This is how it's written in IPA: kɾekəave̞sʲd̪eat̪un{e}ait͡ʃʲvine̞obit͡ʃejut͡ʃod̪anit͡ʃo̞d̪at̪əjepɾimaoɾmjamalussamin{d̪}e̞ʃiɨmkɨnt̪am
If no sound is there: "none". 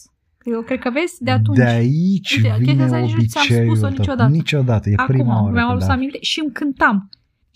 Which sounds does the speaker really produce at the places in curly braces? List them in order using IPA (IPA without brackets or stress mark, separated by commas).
e, t̪